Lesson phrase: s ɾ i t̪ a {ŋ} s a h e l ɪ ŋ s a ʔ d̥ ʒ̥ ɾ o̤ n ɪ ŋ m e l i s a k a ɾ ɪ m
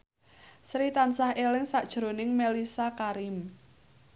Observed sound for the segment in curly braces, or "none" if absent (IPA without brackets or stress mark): n